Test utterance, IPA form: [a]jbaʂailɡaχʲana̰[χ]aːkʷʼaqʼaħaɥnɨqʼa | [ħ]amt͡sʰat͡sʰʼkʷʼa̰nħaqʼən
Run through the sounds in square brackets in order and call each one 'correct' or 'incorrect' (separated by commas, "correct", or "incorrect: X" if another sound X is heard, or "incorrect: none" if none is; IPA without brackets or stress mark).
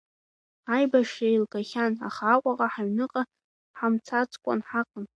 correct, correct, correct